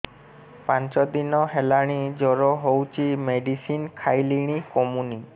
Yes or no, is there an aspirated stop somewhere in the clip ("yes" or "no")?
yes